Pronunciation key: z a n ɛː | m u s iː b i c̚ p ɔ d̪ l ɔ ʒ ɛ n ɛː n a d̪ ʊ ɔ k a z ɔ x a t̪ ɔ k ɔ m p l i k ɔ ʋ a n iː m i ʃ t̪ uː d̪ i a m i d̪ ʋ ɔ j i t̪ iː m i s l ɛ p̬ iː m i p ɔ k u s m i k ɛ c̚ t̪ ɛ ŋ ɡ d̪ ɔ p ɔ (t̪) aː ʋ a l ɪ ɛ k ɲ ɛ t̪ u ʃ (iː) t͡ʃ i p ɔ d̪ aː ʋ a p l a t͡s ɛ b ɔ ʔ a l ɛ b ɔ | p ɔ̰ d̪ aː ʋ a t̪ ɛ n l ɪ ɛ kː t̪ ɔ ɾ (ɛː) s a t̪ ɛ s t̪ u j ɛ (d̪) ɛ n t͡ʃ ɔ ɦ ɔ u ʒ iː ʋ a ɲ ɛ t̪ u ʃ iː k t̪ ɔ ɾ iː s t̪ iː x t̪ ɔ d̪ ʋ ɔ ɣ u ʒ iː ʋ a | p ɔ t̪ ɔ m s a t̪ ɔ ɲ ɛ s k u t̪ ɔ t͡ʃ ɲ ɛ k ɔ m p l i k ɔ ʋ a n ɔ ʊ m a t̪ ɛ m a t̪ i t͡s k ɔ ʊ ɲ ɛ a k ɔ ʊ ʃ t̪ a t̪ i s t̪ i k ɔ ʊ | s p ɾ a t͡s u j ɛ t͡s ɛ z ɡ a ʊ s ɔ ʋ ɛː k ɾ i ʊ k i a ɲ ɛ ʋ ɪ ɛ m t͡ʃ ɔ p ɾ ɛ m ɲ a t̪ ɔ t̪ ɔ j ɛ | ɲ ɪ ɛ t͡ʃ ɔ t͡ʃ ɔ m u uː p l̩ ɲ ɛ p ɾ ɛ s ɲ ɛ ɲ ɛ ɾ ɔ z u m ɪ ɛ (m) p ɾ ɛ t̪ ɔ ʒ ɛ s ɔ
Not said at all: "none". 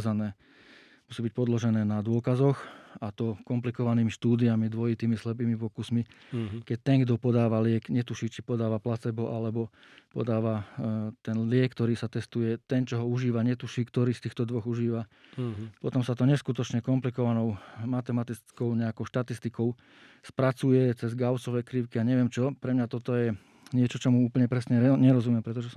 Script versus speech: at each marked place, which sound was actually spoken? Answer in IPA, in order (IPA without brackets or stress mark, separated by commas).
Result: d̪, iː, iː, t̪, m